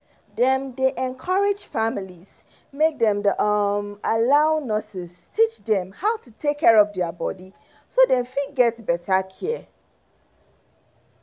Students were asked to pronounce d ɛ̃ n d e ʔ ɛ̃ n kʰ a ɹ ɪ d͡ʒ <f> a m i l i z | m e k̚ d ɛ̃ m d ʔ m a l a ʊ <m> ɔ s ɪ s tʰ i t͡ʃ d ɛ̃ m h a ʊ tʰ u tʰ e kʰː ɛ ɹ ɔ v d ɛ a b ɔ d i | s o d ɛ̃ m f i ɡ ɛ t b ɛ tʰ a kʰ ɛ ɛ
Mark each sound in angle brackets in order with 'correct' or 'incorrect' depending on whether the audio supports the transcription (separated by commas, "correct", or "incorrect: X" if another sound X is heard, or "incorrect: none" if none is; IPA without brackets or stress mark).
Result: correct, incorrect: n